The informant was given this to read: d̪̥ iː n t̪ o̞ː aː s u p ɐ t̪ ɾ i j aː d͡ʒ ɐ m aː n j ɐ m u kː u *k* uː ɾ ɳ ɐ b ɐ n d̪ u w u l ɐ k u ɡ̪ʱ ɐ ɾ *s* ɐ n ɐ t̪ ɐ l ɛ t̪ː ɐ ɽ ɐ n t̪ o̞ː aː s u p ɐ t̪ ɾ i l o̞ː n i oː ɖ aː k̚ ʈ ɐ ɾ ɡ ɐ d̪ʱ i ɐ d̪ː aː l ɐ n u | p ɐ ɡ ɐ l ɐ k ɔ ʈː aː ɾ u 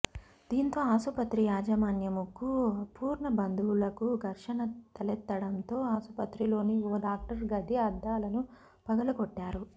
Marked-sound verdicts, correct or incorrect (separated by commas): incorrect, incorrect